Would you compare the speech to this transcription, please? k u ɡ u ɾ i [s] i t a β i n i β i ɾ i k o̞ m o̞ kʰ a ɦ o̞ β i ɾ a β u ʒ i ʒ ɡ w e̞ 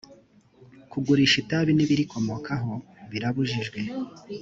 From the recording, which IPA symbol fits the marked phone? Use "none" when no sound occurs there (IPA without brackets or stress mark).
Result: ʃ